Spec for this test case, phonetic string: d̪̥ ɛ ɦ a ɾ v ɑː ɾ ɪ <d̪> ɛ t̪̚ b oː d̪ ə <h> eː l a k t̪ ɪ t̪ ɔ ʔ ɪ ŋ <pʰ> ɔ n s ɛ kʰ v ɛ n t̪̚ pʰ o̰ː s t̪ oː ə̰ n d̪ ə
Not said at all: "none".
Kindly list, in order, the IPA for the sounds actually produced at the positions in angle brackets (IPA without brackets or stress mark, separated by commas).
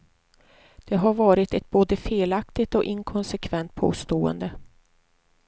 t̪, f, kʰ